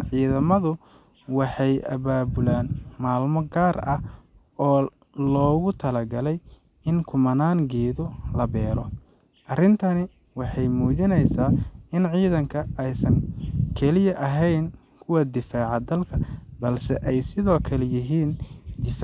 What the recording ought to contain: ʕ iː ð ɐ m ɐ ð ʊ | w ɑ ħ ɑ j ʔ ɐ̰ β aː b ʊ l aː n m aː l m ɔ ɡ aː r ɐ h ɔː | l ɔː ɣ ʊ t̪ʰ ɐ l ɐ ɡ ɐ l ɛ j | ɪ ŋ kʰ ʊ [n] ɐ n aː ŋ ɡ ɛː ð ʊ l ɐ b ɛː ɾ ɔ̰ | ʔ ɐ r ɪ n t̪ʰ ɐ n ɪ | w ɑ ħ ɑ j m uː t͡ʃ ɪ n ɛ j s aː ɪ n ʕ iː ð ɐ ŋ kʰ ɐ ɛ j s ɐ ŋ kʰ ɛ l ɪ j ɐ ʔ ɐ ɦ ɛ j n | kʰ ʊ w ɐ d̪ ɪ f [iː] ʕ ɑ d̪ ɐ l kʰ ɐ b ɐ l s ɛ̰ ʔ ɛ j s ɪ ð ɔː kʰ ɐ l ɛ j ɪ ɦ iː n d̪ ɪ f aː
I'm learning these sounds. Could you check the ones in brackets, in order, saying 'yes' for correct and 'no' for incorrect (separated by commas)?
no, no